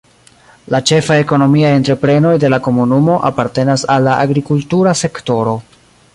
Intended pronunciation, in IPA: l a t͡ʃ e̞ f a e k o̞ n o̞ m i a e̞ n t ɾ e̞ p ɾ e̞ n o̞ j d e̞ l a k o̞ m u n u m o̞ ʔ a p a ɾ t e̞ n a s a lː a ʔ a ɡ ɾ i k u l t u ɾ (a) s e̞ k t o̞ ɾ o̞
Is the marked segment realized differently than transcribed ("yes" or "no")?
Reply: no